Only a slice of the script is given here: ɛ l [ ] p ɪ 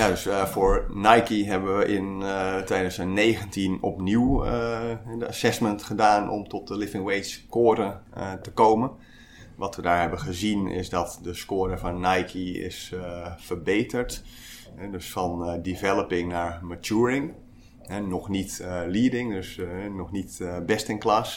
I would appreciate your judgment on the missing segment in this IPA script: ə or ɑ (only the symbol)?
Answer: ə